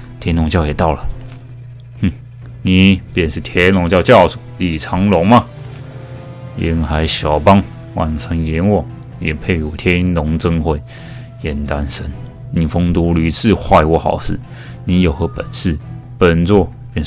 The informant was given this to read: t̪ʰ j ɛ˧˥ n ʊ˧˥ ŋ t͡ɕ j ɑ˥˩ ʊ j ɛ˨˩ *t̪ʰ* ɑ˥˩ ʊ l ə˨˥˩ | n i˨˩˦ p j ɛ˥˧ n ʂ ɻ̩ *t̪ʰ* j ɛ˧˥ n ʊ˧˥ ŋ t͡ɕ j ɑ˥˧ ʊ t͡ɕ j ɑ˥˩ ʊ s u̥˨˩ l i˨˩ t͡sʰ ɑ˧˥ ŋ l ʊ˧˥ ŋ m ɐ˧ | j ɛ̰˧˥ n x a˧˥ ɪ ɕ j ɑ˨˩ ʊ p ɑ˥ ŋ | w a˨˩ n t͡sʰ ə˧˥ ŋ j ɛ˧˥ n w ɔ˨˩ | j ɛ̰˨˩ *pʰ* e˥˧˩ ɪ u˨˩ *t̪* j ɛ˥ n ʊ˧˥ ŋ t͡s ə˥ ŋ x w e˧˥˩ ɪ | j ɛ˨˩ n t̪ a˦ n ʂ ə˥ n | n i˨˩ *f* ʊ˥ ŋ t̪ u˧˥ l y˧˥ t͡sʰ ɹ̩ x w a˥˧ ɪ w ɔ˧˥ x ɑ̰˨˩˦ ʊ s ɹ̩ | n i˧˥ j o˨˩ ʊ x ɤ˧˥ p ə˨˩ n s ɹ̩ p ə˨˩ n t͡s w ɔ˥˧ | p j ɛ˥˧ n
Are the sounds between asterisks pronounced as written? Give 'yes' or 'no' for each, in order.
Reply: no, yes, yes, no, yes

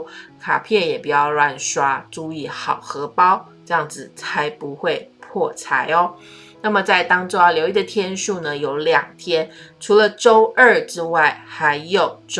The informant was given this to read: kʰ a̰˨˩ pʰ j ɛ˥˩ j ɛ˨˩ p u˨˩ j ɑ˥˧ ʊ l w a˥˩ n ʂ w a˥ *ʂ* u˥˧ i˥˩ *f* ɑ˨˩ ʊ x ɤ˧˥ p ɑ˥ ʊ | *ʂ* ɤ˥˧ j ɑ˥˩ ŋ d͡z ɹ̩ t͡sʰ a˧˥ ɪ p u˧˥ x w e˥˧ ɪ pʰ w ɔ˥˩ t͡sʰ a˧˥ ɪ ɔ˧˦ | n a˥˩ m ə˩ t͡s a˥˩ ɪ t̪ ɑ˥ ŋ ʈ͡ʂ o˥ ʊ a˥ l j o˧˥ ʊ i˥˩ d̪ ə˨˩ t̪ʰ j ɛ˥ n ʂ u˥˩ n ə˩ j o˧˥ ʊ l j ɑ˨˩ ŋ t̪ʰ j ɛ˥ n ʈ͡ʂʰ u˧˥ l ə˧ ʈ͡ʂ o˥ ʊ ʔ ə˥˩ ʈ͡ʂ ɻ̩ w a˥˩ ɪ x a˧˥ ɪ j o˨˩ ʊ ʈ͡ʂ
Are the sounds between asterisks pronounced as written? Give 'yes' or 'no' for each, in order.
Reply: no, no, no

